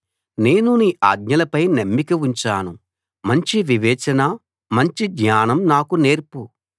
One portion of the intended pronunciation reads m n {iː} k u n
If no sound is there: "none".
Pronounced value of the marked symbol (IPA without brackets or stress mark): aː